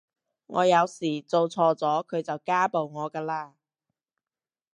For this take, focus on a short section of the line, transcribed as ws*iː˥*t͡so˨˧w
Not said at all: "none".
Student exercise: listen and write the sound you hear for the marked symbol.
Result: iː˨˩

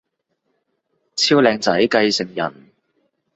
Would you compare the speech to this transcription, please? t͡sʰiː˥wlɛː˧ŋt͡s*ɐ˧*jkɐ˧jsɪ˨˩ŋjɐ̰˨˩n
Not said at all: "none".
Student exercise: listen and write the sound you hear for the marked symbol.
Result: ɐ˨˥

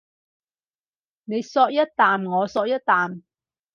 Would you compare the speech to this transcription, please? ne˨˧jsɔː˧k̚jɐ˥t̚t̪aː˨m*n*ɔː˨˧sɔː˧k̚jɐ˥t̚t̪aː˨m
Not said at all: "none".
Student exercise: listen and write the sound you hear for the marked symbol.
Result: ŋ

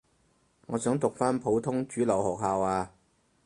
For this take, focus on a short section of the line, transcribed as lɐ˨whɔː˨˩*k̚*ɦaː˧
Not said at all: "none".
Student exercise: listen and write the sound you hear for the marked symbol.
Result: k̚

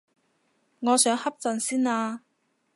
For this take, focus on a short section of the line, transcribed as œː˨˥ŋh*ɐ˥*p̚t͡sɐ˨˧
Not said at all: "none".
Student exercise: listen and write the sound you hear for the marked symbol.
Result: ɐ˥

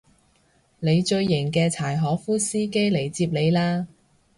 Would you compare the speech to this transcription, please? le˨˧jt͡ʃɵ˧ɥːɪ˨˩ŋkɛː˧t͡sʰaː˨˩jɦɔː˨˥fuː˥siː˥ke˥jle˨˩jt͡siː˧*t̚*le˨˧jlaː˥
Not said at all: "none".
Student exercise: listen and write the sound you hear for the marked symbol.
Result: p̚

